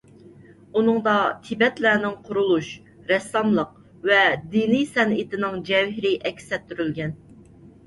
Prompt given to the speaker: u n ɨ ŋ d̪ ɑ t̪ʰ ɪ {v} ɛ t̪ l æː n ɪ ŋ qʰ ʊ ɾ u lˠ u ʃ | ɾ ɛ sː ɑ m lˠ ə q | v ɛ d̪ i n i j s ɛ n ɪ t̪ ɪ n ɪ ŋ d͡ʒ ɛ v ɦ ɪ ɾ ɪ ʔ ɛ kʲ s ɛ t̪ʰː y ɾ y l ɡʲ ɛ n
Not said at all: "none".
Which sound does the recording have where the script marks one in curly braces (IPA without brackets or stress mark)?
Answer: b